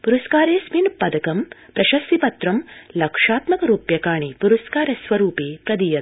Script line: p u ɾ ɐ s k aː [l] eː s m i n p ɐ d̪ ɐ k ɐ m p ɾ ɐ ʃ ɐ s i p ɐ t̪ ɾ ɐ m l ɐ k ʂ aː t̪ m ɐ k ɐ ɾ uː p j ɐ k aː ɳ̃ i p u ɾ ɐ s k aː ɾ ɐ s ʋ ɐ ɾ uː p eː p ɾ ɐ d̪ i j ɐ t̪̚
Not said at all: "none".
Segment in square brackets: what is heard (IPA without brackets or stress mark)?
ɾ